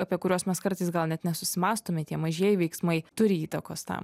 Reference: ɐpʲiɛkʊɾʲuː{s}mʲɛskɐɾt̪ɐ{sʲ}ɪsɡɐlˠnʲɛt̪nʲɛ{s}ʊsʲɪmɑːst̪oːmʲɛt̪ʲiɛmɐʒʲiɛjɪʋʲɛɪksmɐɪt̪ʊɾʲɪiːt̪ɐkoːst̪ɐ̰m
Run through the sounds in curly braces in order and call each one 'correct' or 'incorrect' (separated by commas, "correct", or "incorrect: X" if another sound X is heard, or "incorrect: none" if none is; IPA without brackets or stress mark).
correct, incorrect: none, correct